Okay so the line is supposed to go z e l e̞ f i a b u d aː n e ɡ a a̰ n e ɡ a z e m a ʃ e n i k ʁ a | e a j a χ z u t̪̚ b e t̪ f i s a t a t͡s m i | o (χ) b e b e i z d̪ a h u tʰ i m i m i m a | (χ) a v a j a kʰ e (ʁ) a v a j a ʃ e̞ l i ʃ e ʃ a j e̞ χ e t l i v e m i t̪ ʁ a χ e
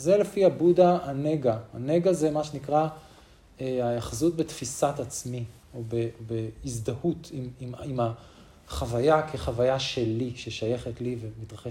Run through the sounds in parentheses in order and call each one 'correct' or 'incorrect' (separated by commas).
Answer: incorrect, correct, incorrect